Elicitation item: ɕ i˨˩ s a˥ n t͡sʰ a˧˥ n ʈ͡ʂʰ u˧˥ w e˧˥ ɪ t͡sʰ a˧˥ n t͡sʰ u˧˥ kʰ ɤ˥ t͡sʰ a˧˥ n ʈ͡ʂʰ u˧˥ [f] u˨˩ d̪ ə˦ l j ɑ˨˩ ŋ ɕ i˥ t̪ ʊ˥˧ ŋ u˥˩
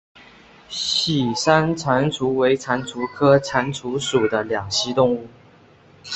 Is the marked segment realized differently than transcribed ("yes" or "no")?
yes